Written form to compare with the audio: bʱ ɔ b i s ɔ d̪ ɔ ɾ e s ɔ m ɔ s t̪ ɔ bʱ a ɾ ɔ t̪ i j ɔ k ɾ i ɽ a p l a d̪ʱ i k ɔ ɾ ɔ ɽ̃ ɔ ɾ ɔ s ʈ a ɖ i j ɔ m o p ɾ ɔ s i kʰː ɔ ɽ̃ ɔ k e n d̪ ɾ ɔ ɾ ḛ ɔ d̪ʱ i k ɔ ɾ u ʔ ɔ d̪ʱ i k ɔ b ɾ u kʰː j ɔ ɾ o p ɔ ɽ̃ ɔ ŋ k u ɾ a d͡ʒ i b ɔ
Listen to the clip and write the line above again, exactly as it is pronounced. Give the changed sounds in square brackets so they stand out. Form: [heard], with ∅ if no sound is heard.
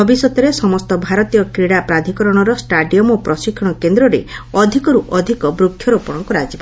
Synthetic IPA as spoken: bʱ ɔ b i s ɔ [t̪] ɔ ɾ e s ɔ m ɔ s t̪ ɔ bʱ a ɾ ɔ t̪ i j ɔ k ɾ i ɽ a p [ɾ] a d̪ʱ i k ɔ ɾ ɔ ɽ̃ ɔ ɾ ɔ s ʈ a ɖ i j ɔ m o p ɾ ɔ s i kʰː ɔ ɽ̃ ɔ k e n d̪ ɾ ɔ ɾ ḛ ɔ d̪ʱ i k ɔ ɾ u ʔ ɔ d̪ʱ i k ɔ b ɾ u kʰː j ɔ ɾ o p ɔ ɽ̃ ɔ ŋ k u ɾ a d͡ʒ i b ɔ

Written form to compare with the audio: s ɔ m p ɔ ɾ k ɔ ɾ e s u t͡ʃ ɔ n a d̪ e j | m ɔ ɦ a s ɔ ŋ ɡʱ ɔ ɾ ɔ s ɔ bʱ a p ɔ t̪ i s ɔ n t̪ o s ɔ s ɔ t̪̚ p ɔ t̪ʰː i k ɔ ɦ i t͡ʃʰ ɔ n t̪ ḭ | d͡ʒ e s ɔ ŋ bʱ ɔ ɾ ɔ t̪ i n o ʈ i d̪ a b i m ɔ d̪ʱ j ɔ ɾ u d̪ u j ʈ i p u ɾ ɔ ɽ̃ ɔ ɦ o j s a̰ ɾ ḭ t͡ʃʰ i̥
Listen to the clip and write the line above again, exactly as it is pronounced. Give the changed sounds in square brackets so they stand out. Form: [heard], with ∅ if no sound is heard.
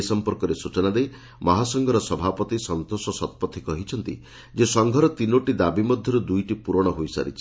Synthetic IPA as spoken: s ɔ m p ɔ ɾ k ɔ ɾ e s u t͡ʃ ɔ n a d̪ e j | m ɔ ɦ a s ɔ ŋ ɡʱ ɔ ɾ ɔ s ɔ bʱ a p ɔ t̪ i s ɔ n t̪ o s ɔ s ɔ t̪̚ p ɔ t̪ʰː i k ɔ ɦ i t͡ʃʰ ɔ n t̪ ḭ | d͡ʒ e s ɔ ŋ [ɡʱ] ɔ ɾ ɔ t̪ i n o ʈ i d̪ a b i m ɔ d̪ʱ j ɔ ɾ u d̪ u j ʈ i p u ɾ ɔ ɽ̃ ɔ ɦ o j s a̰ ɾ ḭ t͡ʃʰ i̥

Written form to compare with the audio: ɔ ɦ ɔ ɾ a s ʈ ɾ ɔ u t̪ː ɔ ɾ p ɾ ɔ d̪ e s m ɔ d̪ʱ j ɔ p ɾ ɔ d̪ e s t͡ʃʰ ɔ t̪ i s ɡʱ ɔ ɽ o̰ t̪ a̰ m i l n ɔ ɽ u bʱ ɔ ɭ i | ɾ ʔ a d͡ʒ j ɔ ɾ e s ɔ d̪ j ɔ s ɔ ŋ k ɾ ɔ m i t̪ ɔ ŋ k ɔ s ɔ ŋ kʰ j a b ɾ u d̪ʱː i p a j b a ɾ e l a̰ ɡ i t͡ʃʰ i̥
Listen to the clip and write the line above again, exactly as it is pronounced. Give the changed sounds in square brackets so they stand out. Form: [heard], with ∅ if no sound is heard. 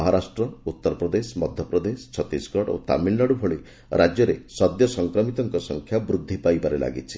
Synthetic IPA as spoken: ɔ ɦ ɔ ɾ a s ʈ ɾ ɔ u t̪ː ɔ ɾ p ɾ ɔ d̪ e s m ɔ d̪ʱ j ɔ p ɾ ɔ d̪ e s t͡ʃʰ ɔ t̪ i s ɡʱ ɔ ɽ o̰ t̪ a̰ m i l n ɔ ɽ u bʱ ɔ ɭ i | ɾ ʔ a d͡ʒ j ɔ ɾ e s ɔ d̪ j ɔ s ɔ ŋ k ɾ ɔ m i t̪ ɔ ŋ k ɔ s ɔ ŋ kʰ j a b ɾ u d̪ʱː i p a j b a ɾ e l a̰ ɡ i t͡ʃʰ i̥

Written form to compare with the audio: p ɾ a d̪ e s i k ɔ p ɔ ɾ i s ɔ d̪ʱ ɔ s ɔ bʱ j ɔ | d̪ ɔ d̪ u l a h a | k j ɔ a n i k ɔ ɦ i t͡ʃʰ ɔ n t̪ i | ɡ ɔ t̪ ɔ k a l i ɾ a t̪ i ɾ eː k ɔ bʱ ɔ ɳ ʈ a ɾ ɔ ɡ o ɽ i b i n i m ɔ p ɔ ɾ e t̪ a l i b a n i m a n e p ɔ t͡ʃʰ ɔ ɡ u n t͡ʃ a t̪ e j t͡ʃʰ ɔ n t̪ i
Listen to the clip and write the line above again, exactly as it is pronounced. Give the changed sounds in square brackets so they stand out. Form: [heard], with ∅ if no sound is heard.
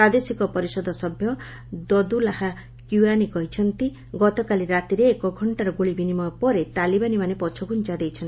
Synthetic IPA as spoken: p ɾ a d̪ e s i k ɔ p ɔ ɾ i s ɔ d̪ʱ ɔ s ɔ bʱ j ɔ | d̪ ɔ d̪ u l a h a | k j [u] a n i k ɔ ɦ i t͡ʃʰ ɔ n t̪ i | ɡ ɔ t̪ ɔ k a l i ɾ a t̪ i ɾ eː k ɔ [ɡʱ] ɔ ɳ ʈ a ɾ ɔ ɡ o [ɭ] i b i n i m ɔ p ɔ ɾ e t̪ a l i b a n i m a n e p ɔ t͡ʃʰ ɔ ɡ u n t͡ʃ a [d̪] e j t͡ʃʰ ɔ n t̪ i

